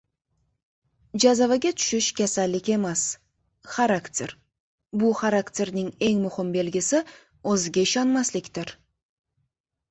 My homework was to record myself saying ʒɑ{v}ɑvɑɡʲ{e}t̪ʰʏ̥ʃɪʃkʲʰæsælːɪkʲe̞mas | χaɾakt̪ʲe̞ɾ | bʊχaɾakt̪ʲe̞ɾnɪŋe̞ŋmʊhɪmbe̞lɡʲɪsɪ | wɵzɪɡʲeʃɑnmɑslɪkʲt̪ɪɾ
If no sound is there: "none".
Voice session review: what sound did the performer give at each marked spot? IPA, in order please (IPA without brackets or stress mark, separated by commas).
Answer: z, e